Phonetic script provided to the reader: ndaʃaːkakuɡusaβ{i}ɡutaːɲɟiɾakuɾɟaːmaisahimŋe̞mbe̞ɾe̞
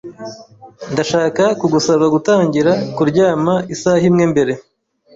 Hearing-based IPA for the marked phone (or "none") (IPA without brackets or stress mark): a